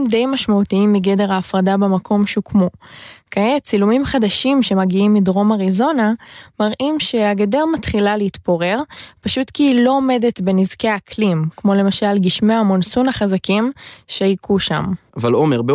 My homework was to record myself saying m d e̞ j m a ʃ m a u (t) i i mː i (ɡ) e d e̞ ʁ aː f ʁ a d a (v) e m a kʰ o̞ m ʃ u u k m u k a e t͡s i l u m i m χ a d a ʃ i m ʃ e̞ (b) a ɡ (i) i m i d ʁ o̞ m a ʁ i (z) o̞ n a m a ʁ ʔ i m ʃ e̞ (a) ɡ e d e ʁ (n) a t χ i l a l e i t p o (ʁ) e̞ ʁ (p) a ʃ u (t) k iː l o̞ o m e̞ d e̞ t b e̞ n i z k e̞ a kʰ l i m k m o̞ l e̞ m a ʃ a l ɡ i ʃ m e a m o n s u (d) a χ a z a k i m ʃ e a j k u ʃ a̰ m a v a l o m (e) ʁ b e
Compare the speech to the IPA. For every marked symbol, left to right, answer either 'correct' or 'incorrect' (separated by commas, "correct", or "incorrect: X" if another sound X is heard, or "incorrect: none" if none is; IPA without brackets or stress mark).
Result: correct, correct, incorrect: b, incorrect: m, correct, correct, correct, incorrect: m, correct, correct, correct, incorrect: n, correct